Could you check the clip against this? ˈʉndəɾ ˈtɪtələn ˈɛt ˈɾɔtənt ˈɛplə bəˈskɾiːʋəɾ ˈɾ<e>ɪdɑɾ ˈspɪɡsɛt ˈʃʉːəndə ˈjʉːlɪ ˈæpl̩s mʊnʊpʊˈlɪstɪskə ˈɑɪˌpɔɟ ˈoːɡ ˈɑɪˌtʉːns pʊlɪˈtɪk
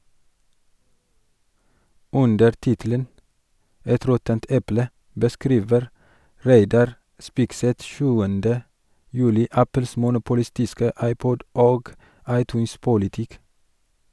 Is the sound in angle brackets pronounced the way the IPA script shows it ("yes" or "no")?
no